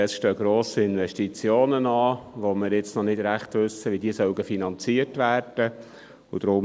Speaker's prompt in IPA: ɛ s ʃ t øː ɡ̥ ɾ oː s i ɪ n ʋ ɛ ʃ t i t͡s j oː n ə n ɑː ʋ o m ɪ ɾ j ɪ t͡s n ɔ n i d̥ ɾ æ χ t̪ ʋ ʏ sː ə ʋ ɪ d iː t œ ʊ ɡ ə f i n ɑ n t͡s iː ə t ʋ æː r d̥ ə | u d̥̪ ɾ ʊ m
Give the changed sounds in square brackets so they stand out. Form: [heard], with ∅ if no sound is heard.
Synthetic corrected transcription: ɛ s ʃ t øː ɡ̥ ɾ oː s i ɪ n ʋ ɛ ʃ t i t͡s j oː n ə n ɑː ʋ o m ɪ ɾ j ɪ t͡s n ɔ n [ɪ] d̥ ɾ æ χ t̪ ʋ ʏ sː ə ʋ [i] d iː [s] œ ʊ ɡ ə f i n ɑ n t͡s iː ə t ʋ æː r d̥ ə | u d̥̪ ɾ ʊ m